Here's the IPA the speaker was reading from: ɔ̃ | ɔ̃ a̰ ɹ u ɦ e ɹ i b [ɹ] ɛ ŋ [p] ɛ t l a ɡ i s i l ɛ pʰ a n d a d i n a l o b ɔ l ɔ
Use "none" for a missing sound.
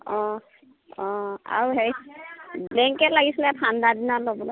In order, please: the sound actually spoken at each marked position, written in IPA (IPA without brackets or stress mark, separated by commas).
l, k